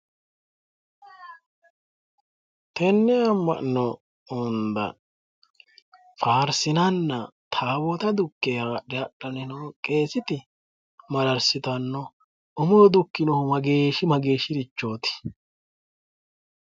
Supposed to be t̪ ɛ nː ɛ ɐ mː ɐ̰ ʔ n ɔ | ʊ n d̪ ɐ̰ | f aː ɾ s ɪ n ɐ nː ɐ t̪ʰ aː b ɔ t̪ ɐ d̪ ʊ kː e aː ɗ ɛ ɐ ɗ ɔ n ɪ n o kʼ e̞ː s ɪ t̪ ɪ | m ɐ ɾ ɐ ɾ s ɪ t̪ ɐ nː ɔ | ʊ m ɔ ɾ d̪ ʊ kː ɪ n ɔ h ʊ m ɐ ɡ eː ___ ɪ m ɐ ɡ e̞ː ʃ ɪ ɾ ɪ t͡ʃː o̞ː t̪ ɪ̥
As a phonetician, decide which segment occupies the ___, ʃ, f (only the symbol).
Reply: ʃ